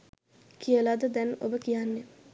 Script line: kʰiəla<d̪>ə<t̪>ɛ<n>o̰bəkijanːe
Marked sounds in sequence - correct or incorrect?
correct, incorrect: d̪, correct

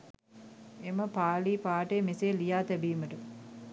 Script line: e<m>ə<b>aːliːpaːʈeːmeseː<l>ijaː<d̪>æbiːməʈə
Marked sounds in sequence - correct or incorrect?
correct, incorrect: p, correct, incorrect: t̪

